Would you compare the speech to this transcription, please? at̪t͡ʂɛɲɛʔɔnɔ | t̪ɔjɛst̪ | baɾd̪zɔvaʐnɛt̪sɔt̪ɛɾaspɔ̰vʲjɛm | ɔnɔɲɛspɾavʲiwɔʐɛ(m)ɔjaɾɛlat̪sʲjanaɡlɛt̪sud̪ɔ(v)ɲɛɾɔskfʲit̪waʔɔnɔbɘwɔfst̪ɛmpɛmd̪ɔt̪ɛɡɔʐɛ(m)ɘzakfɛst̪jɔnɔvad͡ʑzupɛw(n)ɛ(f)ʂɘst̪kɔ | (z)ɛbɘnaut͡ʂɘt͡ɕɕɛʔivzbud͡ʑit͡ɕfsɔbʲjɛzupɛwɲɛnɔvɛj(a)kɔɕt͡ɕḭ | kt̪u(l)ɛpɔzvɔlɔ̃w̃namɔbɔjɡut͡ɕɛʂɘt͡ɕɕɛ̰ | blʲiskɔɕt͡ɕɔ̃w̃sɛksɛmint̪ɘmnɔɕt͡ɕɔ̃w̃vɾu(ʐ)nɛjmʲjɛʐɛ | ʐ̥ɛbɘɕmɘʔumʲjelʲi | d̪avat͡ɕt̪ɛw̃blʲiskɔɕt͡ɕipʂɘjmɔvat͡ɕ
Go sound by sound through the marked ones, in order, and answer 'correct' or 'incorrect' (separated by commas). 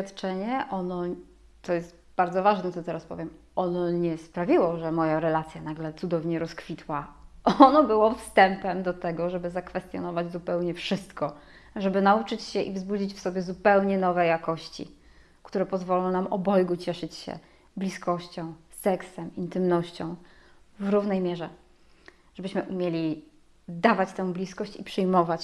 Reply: correct, correct, incorrect, incorrect, correct, incorrect, correct, incorrect, incorrect